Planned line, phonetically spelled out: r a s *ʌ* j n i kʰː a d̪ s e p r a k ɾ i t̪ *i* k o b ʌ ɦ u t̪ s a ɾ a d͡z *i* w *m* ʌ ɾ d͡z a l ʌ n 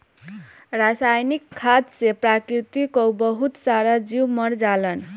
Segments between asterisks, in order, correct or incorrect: incorrect: a, correct, correct, correct

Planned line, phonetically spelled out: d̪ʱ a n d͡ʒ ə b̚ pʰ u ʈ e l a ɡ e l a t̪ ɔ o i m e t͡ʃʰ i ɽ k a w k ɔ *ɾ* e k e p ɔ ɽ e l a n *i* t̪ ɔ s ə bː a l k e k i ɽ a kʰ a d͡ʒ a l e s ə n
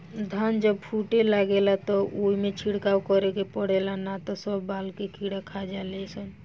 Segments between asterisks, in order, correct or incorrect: correct, incorrect: a

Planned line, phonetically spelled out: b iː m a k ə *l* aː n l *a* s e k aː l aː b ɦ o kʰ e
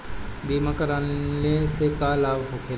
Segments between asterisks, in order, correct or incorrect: incorrect: ɾ, incorrect: e

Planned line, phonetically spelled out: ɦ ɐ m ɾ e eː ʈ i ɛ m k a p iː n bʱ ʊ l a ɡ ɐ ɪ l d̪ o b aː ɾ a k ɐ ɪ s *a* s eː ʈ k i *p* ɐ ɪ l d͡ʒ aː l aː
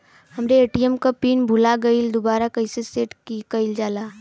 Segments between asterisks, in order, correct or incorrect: incorrect: e, incorrect: k

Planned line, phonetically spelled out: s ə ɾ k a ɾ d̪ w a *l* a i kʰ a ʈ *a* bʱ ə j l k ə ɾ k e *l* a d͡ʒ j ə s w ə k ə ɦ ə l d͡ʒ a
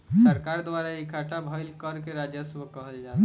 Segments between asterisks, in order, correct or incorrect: incorrect: ɾ, correct, incorrect: ɾ

